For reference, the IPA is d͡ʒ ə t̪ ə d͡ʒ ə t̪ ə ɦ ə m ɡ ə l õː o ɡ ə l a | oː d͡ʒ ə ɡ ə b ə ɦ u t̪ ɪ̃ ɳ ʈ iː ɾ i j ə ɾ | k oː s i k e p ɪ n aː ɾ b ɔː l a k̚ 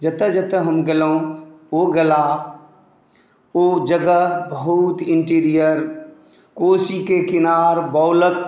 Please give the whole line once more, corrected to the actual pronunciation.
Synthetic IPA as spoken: d͡ʒ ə t̪ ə d͡ʒ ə t̪ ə ɦ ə m ɡ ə l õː o ɡ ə l a | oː d͡ʒ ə ɡ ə b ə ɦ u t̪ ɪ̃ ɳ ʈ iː ɾ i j ə ɾ | k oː s i k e k ɪ n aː ɾ b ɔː l ə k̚